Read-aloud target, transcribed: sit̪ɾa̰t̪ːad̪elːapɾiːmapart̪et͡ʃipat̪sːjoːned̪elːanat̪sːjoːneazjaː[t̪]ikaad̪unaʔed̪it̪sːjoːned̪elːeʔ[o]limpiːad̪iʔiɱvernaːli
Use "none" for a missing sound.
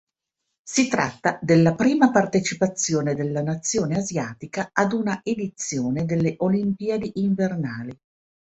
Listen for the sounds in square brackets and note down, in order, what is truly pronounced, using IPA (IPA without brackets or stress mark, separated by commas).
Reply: t̪, o